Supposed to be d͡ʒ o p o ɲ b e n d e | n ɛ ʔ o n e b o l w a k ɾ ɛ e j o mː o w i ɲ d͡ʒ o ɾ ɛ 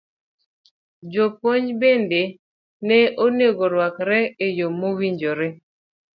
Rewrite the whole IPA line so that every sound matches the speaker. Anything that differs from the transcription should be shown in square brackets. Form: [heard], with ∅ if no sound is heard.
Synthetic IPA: d͡ʒ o p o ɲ b e n d e | n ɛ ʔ o n e [ɡ] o [ɾ] w a k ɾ ɛ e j o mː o w i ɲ d͡ʒ o ɾ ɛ